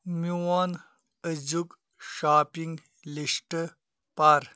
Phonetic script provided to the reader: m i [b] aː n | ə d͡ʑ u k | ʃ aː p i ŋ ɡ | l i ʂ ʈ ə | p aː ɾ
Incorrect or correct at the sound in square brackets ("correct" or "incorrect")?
incorrect